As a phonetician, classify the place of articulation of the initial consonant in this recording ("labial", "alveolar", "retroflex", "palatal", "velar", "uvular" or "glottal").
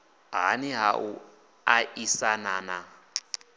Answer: glottal